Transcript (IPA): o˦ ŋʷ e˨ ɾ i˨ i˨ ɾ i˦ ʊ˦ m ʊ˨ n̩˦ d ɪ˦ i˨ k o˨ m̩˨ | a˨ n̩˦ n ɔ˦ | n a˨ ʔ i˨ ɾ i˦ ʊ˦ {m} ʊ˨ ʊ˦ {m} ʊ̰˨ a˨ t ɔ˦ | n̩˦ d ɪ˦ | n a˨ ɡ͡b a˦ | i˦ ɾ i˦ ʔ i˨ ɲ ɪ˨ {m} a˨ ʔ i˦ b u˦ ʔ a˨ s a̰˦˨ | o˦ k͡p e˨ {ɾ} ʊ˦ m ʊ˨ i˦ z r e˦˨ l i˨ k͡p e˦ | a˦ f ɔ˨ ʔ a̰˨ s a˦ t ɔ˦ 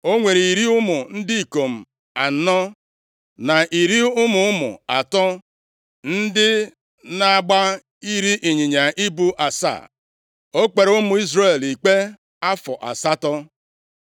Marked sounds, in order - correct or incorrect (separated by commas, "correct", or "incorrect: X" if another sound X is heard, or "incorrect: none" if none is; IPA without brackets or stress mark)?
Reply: correct, correct, incorrect: ɲ, correct